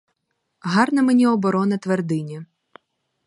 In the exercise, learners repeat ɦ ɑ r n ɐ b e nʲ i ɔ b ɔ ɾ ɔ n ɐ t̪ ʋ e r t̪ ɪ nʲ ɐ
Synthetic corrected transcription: ɦ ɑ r n ɐ m e nʲ i ɔ b ɔ ɾ ɔ n ɐ t̪ ʋ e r d̪ ɪ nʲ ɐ